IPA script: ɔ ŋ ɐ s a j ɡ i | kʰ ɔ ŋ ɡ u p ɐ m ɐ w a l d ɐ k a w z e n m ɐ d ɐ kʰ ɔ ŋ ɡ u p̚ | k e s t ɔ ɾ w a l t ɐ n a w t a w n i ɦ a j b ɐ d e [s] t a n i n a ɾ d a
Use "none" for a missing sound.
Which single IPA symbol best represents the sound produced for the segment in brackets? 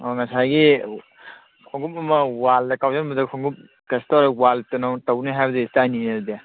s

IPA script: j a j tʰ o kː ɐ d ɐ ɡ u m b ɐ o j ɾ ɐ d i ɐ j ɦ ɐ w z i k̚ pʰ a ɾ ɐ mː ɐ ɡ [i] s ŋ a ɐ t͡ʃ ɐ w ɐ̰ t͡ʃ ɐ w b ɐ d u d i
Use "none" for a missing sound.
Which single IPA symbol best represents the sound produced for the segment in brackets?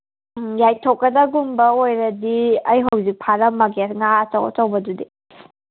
e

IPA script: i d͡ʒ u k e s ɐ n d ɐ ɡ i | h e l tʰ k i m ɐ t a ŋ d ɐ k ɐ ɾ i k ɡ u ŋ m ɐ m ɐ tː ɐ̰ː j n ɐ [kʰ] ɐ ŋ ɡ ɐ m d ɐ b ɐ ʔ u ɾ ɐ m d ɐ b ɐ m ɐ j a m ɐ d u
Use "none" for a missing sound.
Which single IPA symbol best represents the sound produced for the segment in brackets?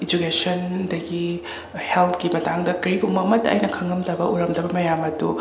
kʰ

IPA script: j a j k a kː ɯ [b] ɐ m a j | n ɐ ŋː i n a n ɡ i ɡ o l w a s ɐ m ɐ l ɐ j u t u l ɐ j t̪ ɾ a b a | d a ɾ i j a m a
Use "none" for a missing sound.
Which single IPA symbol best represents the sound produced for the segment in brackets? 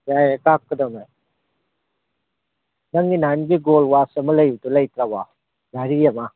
d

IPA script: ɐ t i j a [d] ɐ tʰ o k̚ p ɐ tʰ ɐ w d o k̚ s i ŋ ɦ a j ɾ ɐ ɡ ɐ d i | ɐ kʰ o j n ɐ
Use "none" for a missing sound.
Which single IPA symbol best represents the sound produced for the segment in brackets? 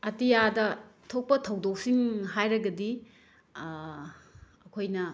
d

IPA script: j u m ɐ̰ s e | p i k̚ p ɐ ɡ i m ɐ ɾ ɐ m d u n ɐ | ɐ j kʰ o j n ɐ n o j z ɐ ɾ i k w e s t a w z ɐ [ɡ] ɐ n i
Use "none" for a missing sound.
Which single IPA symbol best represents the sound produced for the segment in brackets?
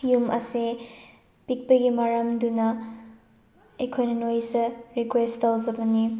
b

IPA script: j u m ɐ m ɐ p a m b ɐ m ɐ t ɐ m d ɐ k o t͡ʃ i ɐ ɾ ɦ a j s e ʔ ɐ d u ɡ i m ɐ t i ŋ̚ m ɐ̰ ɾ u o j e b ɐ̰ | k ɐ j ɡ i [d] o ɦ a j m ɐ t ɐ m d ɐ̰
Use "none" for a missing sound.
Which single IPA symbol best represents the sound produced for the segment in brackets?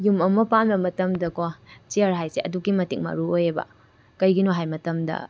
n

